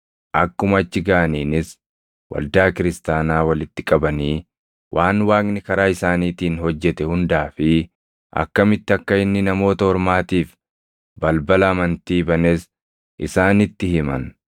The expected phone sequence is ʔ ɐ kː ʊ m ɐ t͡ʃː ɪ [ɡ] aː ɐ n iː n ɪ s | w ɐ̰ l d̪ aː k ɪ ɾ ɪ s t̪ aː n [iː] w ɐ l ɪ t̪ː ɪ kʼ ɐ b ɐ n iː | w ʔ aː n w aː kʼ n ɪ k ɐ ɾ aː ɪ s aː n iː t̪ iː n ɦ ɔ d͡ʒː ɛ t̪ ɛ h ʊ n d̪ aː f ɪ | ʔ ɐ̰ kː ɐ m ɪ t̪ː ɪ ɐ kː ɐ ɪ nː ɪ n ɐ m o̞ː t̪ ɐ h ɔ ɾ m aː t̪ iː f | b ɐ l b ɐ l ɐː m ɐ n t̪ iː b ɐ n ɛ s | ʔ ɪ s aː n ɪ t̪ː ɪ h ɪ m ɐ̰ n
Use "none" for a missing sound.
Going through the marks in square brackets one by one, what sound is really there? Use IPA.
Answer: ɡ, aː

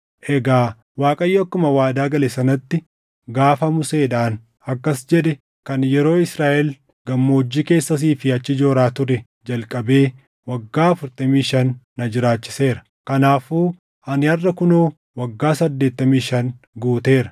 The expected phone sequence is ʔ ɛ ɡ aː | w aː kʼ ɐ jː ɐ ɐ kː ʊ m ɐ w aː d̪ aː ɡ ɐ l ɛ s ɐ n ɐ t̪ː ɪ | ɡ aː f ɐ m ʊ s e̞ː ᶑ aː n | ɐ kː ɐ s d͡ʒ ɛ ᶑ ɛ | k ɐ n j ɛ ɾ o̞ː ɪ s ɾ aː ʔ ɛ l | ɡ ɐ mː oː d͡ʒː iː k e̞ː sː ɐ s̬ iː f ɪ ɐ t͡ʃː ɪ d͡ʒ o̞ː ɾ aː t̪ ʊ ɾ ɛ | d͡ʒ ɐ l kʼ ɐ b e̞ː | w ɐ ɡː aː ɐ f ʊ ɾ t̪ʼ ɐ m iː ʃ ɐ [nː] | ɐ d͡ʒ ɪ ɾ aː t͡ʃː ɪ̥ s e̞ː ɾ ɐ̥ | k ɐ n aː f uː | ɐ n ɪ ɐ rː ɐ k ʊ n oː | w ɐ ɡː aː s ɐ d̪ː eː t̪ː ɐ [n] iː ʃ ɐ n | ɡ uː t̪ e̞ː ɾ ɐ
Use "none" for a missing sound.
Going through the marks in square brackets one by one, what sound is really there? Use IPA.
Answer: nː, m

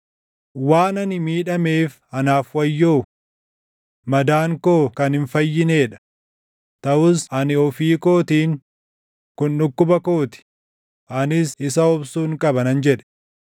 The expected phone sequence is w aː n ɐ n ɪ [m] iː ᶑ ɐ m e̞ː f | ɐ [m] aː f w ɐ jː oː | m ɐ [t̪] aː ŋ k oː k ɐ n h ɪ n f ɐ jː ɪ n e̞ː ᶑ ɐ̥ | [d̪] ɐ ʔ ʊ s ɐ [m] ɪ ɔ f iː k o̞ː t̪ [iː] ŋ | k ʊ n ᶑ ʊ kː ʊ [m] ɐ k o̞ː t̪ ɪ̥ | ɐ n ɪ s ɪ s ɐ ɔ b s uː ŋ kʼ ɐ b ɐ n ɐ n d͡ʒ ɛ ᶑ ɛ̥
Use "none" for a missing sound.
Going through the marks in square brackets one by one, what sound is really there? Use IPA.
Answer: m, n, d̪, t̪, n, iː, b

